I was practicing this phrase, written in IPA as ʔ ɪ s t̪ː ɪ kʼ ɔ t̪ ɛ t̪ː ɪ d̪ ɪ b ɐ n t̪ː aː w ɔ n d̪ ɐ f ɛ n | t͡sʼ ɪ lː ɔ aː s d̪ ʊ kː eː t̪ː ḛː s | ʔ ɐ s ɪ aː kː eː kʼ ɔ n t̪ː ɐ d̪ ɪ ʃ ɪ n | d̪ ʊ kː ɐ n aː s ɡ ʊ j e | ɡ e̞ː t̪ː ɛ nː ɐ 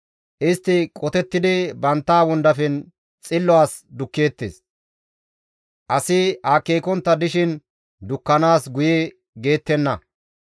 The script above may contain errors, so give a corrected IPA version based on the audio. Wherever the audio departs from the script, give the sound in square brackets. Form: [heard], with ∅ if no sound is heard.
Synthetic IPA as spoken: ʔ ɪ s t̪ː ɪ kʼ ɔ t̪ ɛ t̪ː ɪ d̪ ɪ b ɐ n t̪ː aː w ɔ n d̪ ɐ f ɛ n | t͡sʼ ɪ lː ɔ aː s d̪ ʊ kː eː t̪ː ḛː s | ʔ ɐ s ɪ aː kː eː [k] ɔ n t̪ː ɐ d̪ ɪ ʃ ɪ n | d̪ ʊ kː ɐ n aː s ɡ ʊ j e | ɡ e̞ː t̪ː ɛ nː ɐ